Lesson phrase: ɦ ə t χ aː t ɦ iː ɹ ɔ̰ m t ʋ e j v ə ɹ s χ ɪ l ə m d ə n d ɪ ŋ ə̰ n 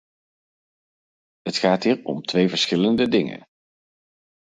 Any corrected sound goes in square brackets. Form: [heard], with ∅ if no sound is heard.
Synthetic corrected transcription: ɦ ə t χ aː t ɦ iː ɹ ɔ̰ m t ʋ e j v ə ɹ s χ ɪ l ə [n] d ə [∅] d ɪ ŋ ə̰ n